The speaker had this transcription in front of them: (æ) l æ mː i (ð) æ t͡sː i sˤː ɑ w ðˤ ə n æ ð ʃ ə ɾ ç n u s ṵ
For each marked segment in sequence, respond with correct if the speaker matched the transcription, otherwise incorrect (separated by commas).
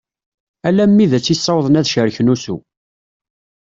correct, correct